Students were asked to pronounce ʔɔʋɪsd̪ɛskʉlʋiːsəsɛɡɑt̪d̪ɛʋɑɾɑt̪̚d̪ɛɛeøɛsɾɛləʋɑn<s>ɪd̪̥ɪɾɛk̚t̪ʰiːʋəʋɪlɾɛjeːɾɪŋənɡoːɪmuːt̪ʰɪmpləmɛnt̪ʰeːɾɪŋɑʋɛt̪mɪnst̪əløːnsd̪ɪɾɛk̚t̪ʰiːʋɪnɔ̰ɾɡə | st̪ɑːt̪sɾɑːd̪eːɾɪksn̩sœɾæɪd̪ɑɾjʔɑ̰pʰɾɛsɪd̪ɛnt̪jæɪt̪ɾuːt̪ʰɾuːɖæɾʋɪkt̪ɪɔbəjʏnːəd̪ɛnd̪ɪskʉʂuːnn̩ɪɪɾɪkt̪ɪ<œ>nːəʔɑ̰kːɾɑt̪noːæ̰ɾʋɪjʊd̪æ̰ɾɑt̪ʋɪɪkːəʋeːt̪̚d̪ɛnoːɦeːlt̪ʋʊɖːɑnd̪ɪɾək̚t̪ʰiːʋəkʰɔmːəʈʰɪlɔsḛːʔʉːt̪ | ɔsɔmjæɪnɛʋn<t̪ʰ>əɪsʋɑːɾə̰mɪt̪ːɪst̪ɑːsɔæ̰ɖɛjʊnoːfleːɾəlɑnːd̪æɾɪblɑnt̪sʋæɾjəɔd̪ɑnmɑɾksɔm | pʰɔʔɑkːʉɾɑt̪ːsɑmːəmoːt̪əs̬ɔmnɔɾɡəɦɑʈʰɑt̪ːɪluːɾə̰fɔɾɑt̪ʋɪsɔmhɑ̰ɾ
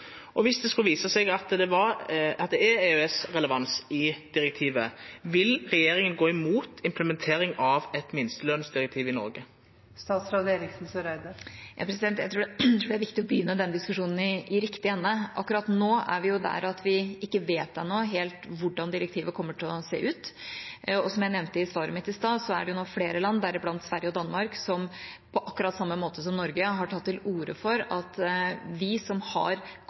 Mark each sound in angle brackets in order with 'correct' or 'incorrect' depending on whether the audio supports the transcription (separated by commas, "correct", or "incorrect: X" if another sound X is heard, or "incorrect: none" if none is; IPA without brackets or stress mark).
correct, incorrect: ɛ, incorrect: t̪